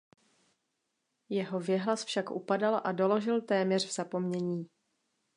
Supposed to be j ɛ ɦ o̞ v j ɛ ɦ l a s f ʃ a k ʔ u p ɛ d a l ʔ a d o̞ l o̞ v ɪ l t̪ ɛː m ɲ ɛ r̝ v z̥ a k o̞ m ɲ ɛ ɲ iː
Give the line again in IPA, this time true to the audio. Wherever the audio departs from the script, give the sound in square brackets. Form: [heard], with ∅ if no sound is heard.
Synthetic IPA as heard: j ɛ ɦ o̞ v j ɛ ɦ l a s f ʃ a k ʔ u p [a] d a l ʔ a d o̞ l o̞ [ʒ] ɪ l t̪ ɛː m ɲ ɛ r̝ v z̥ a [p] o̞ m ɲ ɛ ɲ iː